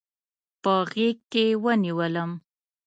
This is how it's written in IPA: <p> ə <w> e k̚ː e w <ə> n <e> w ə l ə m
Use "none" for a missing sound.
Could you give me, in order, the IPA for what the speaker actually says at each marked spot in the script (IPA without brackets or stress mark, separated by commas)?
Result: p, ɣ, ə, i